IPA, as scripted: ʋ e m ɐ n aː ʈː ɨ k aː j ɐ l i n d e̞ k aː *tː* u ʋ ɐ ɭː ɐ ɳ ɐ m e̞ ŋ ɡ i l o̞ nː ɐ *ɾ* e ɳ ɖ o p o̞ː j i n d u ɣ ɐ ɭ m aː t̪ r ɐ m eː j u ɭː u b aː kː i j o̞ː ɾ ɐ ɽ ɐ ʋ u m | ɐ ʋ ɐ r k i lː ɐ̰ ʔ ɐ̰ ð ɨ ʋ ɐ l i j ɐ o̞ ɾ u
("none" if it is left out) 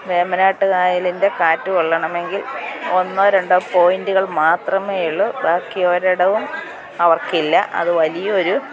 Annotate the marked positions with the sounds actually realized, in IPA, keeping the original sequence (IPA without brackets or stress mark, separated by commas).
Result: tː, ɾ